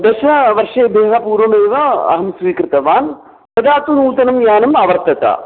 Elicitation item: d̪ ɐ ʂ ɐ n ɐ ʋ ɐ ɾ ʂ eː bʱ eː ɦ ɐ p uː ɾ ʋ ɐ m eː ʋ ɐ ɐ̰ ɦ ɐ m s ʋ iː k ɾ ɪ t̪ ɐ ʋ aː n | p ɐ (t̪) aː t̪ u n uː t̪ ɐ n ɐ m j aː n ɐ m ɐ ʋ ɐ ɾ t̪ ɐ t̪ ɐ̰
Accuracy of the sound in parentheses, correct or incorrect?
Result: incorrect